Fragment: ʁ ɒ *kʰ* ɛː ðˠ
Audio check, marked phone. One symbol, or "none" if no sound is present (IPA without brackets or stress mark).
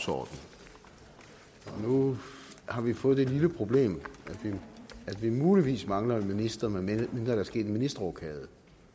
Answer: kʰ